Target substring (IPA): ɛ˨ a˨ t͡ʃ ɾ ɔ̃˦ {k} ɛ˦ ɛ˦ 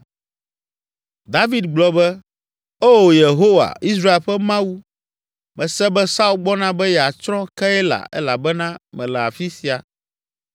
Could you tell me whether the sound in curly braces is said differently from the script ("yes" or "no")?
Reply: no